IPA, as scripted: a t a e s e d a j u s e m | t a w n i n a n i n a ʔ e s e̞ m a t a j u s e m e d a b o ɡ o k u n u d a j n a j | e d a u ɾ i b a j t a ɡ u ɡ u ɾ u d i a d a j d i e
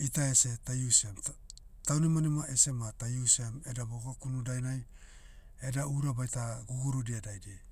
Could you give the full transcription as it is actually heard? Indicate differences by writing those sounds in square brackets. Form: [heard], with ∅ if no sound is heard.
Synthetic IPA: [i] t a e s e [t] a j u s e m | t a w n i [m] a n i [m] a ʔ e s e̞ m a t a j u s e m e d a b o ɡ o k u n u d a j n a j | e d a u ɾ [a] b a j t a ɡ u ɡ u ɾ u d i a d a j d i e